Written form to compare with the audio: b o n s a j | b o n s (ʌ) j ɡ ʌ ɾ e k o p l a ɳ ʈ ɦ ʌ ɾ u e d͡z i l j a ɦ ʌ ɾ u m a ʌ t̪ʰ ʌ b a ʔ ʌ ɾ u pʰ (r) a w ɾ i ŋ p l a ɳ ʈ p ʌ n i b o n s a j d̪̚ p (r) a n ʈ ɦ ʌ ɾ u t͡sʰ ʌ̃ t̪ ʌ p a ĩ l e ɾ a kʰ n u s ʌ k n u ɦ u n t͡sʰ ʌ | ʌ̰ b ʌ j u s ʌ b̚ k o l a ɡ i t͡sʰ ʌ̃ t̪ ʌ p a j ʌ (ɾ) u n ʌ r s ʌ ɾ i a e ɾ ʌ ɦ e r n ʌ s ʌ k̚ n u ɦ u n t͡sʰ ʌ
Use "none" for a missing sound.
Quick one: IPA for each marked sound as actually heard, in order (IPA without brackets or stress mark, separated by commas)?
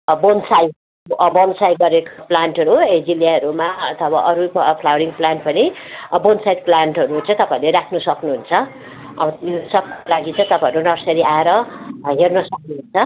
a, l, l, ɾ